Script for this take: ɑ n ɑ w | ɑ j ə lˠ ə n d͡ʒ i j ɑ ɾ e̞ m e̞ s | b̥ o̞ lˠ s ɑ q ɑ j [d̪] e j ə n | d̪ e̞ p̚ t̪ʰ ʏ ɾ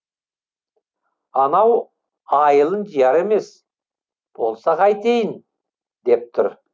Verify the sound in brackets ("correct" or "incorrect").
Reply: incorrect